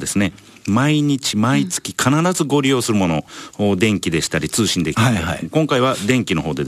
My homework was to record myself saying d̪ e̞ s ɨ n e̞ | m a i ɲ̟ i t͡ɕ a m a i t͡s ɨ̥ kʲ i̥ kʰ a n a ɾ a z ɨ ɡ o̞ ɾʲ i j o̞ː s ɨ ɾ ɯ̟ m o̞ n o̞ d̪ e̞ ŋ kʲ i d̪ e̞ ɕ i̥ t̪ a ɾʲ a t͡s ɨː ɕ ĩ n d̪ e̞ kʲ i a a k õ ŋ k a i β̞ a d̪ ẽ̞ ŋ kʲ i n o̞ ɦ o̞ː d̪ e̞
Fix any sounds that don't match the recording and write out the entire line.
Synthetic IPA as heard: d̪ e̞ s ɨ n e̞ | m a i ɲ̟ i t͡ɕ i m a i t͡s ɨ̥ kʲ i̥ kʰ a n a ɾ a z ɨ ɡ o̞ ɾʲ i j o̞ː s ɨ ɾ ɯ̟ m o̞ n o̞ d̪ ẽ̞ ŋ kʲ i d̪ e̞ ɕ i̥ t̪ a ɾʲ i t͡s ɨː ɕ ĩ n d̪ e̞ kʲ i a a k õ ŋ k a i β̞ a d̪ ẽ̞ ŋ kʲ i n o̞ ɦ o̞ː d̪ e̞